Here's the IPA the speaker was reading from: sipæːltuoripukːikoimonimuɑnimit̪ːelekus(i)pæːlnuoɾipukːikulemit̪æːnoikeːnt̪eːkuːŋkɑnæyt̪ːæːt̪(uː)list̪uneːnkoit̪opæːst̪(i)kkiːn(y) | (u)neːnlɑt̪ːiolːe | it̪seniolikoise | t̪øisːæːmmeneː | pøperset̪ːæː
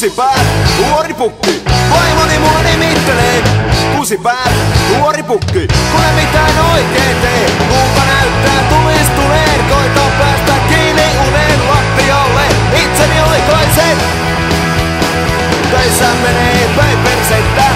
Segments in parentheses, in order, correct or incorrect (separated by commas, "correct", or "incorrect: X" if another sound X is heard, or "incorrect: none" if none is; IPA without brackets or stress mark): correct, incorrect: u, incorrect: æ, incorrect: i, correct